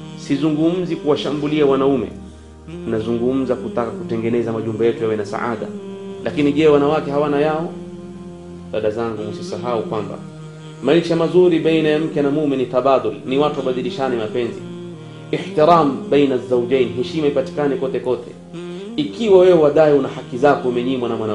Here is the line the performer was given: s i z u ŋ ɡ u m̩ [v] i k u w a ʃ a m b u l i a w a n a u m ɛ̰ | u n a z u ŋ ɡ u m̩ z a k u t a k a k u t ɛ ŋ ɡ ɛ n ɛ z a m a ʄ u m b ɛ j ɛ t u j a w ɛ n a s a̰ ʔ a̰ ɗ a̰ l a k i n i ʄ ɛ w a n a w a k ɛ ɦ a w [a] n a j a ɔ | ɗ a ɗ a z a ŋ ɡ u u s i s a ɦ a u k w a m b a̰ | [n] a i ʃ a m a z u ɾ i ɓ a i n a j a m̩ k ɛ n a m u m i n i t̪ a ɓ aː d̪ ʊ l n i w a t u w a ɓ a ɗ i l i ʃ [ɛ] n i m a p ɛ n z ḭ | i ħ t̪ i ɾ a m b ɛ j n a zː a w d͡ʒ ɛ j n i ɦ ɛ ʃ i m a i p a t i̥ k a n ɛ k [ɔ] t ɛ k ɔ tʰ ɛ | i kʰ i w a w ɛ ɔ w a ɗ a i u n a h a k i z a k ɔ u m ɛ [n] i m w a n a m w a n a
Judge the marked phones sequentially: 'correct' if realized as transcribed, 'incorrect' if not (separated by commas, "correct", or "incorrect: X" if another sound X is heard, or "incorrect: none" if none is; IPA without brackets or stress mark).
incorrect: z, correct, incorrect: m, incorrect: a, correct, incorrect: ɲ